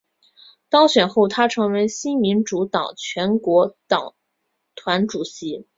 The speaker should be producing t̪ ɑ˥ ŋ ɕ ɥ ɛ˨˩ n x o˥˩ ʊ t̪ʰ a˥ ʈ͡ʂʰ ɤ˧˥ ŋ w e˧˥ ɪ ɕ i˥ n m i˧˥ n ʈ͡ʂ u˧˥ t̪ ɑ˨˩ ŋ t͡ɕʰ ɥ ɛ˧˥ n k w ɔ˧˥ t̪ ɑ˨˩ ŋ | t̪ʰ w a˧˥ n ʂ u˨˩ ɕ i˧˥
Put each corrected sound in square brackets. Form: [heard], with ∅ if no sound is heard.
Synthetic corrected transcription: t̪ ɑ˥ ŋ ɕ ɥ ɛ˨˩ n x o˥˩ ʊ t̪ʰ a˥ ʈ͡ʂʰ ɤ˧˥ ŋ w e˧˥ ɪ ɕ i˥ n m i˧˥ n ʈ͡ʂ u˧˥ t̪ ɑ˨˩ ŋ t͡ɕʰ ɥ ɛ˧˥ n k w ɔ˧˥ t̪ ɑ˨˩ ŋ | t̪ʰ w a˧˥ n [ʈ͡ʂ] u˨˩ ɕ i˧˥